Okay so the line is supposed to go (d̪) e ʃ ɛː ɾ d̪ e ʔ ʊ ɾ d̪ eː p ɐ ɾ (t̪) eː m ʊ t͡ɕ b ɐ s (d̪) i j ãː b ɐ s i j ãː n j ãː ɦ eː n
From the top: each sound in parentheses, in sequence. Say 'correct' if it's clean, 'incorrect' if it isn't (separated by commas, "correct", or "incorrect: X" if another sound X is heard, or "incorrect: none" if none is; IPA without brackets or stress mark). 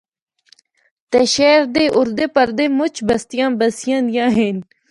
incorrect: t̪, incorrect: d̪, incorrect: t̪